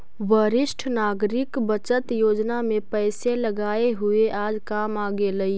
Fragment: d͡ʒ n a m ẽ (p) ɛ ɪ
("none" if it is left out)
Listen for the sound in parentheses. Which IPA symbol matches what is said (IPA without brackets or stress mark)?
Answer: p